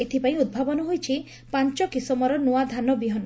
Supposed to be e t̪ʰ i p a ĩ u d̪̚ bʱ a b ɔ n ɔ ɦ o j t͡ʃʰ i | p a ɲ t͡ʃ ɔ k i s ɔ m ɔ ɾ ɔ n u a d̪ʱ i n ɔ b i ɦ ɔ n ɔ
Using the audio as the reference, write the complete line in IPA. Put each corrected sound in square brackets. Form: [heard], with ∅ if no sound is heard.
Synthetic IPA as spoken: e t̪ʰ i p a ĩ u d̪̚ bʱ a b ɔ n ɔ ɦ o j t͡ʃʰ i | p a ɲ t͡ʃ ɔ k i s ɔ m ɔ ɾ ɔ n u a d̪ʱ [a] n ɔ b i ɦ ɔ n ɔ